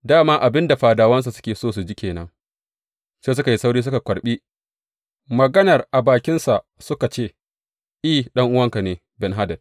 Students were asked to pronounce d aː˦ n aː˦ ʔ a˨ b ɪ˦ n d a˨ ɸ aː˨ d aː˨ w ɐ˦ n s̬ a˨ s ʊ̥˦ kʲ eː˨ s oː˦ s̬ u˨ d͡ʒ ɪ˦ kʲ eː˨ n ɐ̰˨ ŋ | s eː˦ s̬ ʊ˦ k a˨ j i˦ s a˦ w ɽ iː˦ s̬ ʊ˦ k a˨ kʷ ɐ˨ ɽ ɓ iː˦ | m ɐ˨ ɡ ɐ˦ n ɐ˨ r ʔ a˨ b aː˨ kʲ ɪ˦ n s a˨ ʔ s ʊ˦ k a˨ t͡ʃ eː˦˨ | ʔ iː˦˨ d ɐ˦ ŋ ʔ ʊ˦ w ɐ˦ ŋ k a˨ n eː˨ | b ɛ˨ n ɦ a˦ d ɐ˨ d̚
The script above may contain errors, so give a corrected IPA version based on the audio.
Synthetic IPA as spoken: d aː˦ m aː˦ ʔ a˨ b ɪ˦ n d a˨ ɸ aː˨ d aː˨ w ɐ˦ n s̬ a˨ s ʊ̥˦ kʲ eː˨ s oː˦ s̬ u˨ d͡ʒ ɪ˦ kʲ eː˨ n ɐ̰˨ ŋ | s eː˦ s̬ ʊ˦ k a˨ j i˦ s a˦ w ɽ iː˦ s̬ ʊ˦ k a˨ kʷ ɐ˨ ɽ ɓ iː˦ | m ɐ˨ ɡ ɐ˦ n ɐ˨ r ʔ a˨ b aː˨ kʲ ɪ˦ n s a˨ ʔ s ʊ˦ k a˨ t͡ʃ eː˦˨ | ʔ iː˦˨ ɗ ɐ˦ ŋ ʔ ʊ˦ w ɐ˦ ŋ k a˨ n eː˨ | b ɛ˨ n ɦ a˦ d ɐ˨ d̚